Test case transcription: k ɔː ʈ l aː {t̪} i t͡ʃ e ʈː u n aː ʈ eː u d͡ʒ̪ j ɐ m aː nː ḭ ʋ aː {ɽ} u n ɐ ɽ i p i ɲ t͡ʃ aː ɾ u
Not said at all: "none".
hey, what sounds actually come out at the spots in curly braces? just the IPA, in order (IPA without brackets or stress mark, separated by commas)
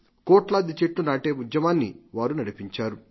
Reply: d̪, ɾ